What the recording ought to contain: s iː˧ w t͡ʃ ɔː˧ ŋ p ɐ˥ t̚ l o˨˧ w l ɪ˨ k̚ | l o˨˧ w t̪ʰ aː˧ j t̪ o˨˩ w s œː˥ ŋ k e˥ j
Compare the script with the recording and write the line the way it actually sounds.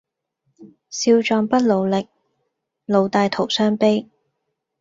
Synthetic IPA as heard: s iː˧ w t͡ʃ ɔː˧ ŋ p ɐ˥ t̚ l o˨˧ w l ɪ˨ k̚ | l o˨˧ w t̪ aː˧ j t̪ʰ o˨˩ w s œː˥ ŋ p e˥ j